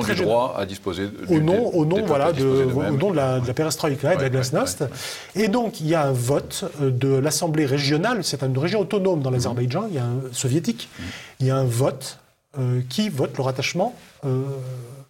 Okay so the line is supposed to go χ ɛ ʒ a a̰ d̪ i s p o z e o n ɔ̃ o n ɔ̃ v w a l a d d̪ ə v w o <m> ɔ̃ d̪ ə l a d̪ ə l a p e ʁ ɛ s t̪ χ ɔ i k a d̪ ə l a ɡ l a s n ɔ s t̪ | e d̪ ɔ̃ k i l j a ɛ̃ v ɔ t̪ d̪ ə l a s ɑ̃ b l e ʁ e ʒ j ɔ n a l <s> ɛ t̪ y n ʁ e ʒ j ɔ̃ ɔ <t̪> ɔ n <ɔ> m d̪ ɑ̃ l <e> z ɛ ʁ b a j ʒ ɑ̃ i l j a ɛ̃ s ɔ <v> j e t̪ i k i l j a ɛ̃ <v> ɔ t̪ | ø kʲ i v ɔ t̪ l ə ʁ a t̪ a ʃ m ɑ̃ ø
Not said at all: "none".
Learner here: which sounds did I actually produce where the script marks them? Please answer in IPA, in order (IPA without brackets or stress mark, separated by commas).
n, s, t̪, o, a, v, v